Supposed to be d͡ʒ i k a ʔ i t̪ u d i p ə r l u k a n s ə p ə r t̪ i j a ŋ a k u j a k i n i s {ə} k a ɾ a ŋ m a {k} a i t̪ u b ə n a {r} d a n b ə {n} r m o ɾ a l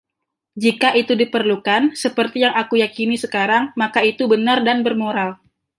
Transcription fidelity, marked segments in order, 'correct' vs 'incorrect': correct, correct, correct, incorrect

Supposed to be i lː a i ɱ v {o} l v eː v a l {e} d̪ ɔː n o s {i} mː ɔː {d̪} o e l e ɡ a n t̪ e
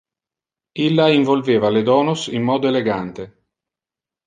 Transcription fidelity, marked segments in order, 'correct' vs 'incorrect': correct, correct, correct, correct

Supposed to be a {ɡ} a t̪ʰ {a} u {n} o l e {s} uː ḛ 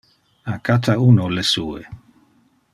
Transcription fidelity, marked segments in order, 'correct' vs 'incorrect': incorrect, correct, correct, correct

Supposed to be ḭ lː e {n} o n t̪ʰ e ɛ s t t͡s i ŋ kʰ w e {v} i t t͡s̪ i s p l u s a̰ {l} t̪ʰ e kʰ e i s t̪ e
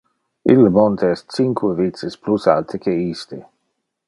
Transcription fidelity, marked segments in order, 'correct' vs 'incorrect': incorrect, correct, correct

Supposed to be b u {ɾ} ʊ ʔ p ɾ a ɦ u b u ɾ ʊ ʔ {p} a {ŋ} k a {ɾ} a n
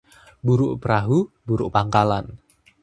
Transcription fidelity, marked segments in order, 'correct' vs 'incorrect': correct, correct, correct, incorrect

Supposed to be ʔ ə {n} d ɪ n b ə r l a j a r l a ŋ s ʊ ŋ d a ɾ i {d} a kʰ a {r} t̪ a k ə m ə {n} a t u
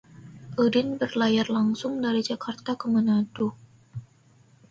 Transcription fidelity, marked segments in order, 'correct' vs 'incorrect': incorrect, incorrect, correct, correct

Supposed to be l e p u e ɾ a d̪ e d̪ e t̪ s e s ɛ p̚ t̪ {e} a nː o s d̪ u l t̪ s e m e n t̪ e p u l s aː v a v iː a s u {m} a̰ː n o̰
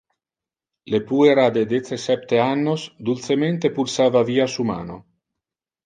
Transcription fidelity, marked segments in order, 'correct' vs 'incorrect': correct, correct

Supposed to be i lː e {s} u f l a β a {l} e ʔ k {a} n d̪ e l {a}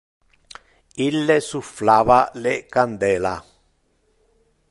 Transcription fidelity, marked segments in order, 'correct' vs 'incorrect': correct, correct, correct, correct

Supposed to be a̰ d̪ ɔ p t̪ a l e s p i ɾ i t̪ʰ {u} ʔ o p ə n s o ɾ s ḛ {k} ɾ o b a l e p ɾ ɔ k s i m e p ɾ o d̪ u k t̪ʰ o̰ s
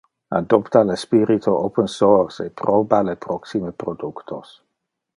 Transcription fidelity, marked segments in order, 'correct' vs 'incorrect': incorrect, incorrect

